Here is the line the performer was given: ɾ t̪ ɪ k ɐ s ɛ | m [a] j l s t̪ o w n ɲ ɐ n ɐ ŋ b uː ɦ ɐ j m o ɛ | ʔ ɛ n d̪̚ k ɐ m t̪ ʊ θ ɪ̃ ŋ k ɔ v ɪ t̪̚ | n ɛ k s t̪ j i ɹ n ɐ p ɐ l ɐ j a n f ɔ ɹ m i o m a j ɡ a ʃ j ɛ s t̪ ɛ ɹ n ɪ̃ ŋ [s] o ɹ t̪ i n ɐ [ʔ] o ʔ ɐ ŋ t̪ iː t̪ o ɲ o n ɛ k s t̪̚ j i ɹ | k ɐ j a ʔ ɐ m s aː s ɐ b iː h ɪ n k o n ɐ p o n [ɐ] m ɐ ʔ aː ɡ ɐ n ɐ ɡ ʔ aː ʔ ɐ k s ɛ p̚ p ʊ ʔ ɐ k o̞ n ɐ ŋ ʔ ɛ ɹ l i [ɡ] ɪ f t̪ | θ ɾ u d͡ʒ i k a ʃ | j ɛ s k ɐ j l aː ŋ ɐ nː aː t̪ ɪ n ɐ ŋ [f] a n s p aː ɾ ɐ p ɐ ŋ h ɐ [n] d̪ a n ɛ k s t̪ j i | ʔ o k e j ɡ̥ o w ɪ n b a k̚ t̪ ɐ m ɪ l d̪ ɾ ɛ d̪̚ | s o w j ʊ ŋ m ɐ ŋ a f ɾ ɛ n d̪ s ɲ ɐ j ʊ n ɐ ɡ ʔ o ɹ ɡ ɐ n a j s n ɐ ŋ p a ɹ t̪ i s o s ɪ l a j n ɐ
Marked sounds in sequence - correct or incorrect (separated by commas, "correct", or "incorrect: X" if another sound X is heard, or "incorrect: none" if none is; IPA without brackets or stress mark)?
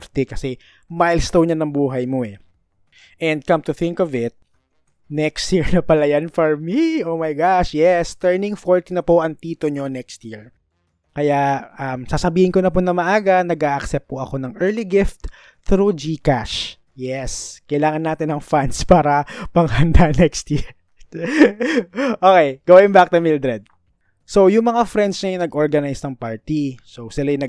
correct, incorrect: f, incorrect: p, correct, correct, correct, correct